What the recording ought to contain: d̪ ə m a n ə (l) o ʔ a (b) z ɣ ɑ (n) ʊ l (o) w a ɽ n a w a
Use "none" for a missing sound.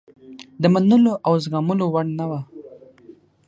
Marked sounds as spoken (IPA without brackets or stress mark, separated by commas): l, w, m, o